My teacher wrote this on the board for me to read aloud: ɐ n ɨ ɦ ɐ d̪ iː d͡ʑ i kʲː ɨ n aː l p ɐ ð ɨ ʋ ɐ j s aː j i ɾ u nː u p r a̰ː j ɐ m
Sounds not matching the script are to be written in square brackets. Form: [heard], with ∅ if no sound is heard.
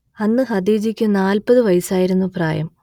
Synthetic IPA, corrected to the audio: ɐ [nː] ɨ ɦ ɐ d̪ iː d͡ʑ i kʲː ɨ n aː l p ɐ ð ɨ ʋ ɐ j s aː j i ɾ u nː u p r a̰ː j ɐ m